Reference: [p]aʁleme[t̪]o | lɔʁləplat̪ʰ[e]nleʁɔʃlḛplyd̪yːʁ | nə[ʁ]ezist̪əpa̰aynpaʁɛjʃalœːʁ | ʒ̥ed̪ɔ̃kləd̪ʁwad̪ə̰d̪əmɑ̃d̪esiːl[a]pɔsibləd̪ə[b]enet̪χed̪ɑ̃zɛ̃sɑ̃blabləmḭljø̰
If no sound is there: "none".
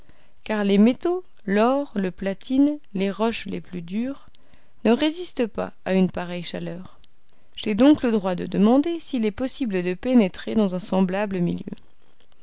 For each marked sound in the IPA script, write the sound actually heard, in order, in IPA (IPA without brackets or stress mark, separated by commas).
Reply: k, t̪, i, ʁ, ɛ, p